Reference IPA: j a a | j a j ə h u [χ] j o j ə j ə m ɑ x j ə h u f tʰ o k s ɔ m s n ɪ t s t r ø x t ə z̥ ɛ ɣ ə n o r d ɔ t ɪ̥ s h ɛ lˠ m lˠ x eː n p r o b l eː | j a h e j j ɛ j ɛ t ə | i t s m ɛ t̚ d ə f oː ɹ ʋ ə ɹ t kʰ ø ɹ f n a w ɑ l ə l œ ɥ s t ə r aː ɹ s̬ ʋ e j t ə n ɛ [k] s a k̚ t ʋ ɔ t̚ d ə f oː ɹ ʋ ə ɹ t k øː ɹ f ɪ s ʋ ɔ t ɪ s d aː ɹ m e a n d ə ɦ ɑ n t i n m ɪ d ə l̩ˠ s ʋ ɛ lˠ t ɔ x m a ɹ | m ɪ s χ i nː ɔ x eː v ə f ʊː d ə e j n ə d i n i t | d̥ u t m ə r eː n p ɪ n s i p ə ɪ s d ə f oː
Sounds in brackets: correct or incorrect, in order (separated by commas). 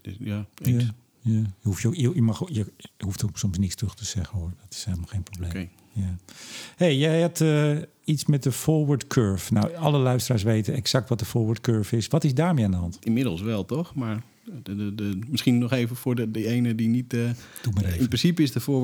incorrect, correct